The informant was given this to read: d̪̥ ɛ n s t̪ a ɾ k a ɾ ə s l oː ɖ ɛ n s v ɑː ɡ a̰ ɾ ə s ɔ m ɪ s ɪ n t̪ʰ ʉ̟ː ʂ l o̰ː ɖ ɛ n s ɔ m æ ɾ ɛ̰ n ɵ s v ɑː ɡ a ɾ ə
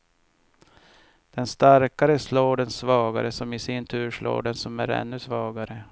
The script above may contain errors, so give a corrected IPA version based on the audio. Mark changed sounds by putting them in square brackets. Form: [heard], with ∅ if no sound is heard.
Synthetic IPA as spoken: d̪̥ ɛ n s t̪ a ɾ k a ɾ ə s l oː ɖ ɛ n s v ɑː ɡ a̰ ɾ ə s ɔ m ɪ s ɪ n t̪ʰ ʉ̟ː ʂ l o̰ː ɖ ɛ n s ɔ m æ ɾ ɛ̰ [nː] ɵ s v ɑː ɡ a ɾ ə